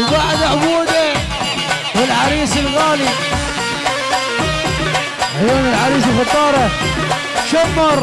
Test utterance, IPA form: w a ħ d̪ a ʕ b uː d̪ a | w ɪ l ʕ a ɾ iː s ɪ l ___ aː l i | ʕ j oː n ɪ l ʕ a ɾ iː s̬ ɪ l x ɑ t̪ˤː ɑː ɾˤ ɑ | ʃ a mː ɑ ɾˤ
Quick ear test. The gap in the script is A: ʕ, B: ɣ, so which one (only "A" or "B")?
B